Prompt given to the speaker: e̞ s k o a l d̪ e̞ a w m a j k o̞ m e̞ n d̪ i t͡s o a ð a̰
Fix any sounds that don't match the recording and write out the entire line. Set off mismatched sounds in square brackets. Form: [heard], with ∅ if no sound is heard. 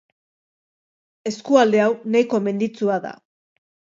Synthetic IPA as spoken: e̞ s k [u] a l d̪ e̞ a w [n] a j k o̞ m e̞ n d̪ i t͡s [u] a ð a̰

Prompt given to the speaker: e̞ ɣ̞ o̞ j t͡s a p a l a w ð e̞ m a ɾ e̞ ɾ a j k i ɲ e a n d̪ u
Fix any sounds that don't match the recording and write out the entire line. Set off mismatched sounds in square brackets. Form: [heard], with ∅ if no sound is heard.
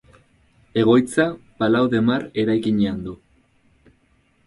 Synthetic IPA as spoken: e̞ ɣ̞ o̞ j t͡s a p a l a w ð e̞ m a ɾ e̞ ɾ a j k i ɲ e a n d̪ u

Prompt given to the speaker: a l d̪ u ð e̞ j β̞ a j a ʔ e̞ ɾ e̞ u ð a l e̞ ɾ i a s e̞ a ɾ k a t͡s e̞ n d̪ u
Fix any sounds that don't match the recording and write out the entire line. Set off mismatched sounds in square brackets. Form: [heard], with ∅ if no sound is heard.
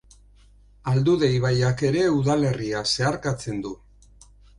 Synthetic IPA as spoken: a l d̪ u ð e̞ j β̞ a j a [k] e̞ ɾ e̞ u ð a l e̞ [r] i a s e̞ a ɾ k a t͡s e̞ n d̪ u

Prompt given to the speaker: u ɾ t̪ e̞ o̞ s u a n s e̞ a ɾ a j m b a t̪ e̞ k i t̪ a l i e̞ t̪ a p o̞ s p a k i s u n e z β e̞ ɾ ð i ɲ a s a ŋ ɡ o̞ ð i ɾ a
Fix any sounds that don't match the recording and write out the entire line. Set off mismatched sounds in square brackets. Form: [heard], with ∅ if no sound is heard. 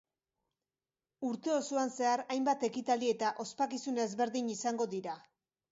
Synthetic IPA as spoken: u ɾ t̪ e̞ o̞ s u a n s e̞ a ɾ a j m b a t̪ e̞ k i t̪ a l i e̞ t̪ a [ʔ] o̞ s p a k i s u n e z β e̞ ɾ ð i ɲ [i] s a ŋ ɡ o̞ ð i ɾ a

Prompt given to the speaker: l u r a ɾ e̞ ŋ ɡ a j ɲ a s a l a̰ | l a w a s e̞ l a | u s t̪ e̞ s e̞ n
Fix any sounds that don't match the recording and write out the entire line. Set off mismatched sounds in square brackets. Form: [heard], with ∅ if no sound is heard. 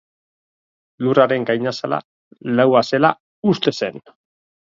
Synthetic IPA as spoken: l u r a ɾ e̞ ŋ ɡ a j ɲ a s a l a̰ | l a w a s e̞ l a | u s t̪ e̞ s e̞ n

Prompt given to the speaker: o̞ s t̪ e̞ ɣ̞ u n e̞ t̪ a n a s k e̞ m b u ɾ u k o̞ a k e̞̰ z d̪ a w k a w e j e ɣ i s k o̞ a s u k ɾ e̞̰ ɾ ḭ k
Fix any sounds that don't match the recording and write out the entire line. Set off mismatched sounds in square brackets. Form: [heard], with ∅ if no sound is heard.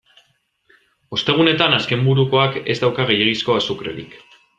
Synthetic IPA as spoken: o̞ s t̪ e̞ ɣ̞ u n e̞ t̪ a n a s k e̞ m b u ɾ u k o̞ a k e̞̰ z d̪ a w k a [ɣ] e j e ɣ i s k o̞ a s u k ɾ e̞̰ ɾ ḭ k

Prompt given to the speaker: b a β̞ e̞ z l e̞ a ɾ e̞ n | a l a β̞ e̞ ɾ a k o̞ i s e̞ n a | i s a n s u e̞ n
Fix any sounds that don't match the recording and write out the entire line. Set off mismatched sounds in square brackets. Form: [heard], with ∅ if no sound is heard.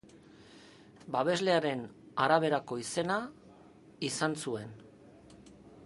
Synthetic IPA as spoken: b a β̞ e̞ z l e̞ a ɾ e̞ n | a [ɾ] a β̞ e̞ ɾ a k o̞ i s e̞ n a | i s a n s u e̞ n

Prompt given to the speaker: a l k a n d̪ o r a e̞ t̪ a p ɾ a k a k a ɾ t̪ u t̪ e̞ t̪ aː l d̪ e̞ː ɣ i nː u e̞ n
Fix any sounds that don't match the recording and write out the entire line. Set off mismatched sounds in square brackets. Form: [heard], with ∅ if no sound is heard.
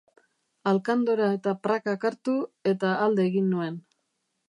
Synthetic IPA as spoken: a l k a n d̪ o [ɾ] a e̞ t̪ a p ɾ a k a k a ɾ t̪ u [∅] e̞ t̪ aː l d̪ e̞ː ɣ i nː u e̞ n

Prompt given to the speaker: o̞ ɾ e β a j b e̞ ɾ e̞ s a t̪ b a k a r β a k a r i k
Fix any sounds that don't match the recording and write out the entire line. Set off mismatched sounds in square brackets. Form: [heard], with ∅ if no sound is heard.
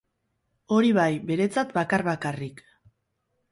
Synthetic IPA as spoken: o̞ ɾ [i] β a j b e̞ ɾ e̞ [t͡s] a t̪ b a k a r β a k a r i k

